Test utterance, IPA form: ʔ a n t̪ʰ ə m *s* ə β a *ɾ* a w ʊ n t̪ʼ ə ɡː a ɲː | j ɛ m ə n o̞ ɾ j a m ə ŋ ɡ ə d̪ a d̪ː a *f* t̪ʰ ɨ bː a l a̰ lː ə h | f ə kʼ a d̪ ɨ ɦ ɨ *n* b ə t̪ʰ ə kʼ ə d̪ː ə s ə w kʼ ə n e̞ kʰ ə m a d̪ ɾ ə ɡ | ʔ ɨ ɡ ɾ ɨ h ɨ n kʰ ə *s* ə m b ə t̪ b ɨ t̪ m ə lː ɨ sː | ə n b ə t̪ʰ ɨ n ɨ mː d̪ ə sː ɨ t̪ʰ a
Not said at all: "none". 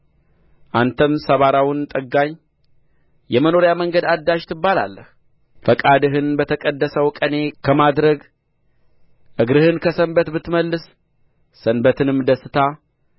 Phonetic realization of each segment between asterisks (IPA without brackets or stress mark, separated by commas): s, ɾ, ʃ, n, s